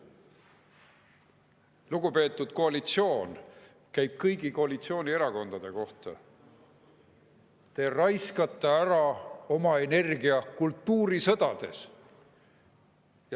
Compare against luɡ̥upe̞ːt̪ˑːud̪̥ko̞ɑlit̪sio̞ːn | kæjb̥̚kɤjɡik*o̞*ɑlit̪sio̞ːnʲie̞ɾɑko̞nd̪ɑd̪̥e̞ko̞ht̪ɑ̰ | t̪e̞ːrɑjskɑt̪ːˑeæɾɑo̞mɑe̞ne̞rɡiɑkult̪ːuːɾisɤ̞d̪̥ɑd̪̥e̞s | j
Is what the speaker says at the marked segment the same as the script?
yes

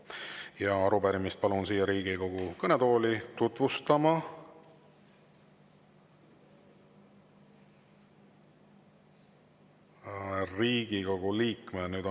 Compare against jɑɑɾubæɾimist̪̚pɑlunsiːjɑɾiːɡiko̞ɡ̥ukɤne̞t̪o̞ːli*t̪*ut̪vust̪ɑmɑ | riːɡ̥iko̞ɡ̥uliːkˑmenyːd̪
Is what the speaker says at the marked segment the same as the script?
yes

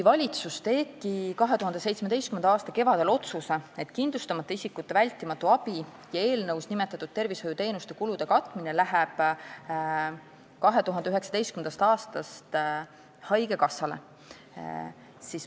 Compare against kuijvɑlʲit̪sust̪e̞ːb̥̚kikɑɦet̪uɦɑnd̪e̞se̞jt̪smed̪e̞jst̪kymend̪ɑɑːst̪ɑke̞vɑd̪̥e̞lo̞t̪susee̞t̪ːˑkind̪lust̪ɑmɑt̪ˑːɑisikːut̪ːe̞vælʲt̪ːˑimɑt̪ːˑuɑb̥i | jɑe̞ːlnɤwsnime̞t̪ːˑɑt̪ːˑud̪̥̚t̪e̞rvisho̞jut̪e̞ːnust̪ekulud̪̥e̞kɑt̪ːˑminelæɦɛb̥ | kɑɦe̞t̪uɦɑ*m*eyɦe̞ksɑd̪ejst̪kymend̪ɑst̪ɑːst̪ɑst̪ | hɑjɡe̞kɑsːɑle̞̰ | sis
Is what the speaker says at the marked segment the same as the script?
no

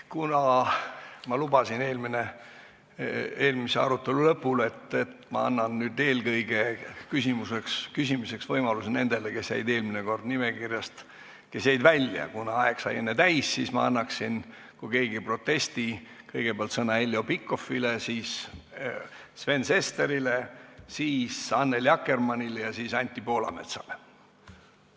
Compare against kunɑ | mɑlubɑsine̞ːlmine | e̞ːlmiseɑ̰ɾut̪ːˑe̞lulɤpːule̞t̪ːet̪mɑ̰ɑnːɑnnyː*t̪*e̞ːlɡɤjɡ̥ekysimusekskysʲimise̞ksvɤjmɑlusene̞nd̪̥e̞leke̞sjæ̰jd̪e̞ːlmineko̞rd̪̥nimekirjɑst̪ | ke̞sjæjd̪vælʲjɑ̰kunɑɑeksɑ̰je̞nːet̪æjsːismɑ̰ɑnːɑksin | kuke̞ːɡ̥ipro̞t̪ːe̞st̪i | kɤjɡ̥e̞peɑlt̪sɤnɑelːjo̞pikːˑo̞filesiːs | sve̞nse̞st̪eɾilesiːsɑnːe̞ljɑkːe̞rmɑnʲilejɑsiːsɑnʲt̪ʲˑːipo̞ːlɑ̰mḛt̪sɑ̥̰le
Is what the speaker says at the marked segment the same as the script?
no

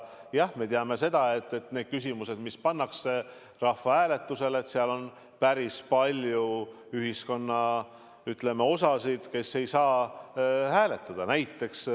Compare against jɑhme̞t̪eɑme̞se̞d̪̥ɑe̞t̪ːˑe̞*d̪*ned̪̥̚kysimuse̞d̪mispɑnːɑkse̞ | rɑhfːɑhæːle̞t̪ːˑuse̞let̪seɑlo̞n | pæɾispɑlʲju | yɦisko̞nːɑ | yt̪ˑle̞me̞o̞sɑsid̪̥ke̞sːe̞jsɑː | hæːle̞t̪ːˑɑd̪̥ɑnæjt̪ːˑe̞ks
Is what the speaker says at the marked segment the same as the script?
no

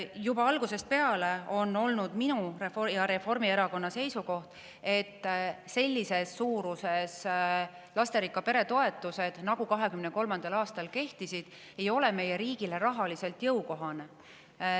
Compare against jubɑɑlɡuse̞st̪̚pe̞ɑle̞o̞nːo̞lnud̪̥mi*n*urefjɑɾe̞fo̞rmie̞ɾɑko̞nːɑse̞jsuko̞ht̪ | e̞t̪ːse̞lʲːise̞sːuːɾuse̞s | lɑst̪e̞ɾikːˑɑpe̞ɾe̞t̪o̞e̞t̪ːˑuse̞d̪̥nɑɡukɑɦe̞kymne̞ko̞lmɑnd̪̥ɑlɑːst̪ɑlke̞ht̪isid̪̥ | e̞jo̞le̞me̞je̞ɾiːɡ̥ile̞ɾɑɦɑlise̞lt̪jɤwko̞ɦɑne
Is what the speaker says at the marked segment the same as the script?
yes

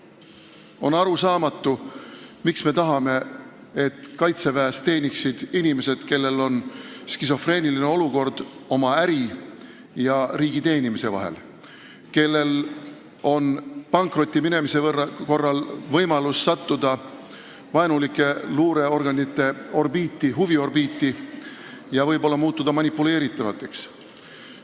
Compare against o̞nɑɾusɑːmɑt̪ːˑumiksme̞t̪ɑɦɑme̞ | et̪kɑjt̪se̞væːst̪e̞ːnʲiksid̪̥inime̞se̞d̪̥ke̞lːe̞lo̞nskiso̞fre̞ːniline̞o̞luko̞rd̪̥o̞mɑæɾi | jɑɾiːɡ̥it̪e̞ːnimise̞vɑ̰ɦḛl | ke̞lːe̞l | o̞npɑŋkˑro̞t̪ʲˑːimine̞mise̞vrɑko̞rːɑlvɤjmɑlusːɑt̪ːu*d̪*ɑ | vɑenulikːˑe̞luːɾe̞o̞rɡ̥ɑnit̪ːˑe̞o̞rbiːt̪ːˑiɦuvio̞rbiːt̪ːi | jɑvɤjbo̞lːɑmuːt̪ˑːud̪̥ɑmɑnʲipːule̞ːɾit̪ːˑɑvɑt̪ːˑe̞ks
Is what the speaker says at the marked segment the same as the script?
yes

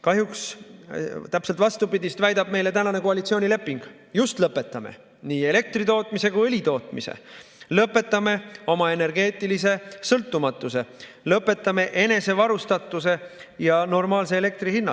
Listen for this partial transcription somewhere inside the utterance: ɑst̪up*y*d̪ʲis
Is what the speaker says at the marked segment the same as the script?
no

